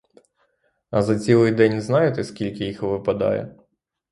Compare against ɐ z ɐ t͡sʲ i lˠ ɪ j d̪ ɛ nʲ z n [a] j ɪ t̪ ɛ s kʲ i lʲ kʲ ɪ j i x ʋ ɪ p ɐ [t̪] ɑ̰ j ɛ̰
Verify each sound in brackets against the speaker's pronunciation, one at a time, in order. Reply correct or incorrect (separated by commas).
incorrect, incorrect